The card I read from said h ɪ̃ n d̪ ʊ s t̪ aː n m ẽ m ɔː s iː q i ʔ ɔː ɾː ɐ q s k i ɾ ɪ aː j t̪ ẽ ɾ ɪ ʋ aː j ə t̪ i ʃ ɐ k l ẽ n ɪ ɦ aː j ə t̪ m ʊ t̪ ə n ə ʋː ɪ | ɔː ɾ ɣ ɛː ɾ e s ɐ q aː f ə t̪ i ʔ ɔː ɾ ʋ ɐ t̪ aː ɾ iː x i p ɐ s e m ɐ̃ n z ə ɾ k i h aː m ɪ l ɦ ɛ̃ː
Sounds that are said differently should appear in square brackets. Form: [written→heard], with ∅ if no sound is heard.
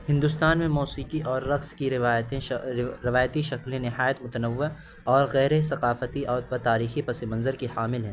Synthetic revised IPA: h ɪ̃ n d̪ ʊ s t̪ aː n m ẽ m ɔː s iː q i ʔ ɔː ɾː ɐ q s k i ɾ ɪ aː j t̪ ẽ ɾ ɪ ʋ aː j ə t̪ i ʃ ɐ k l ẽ n ɪ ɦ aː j ə t̪ m ʊ t̪ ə n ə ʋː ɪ | ɔː ɾ ɣ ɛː ɾ e s ɐ q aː f ə t̪ i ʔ ɔː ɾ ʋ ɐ t̪ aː ɾ iː x i p ɐ s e m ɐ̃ n z ə ɾ k i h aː m ɪ l ɦ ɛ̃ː